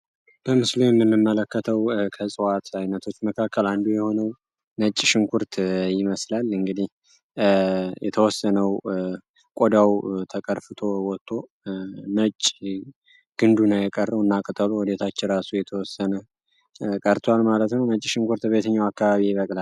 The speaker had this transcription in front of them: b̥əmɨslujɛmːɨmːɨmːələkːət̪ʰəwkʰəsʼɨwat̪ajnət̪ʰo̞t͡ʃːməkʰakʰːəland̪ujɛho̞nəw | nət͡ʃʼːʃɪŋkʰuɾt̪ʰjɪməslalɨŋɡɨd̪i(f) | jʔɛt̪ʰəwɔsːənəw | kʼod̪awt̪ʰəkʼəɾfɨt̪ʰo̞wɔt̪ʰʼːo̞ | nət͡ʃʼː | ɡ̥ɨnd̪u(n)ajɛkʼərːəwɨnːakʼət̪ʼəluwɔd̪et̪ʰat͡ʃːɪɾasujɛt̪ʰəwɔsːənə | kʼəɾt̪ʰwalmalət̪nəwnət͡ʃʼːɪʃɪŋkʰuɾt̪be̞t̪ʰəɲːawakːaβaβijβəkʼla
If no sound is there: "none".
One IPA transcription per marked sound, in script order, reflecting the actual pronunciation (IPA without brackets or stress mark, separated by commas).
h, n